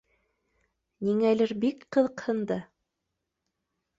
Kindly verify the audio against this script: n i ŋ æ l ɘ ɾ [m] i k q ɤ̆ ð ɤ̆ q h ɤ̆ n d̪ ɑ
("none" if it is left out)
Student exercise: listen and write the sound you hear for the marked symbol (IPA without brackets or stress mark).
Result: b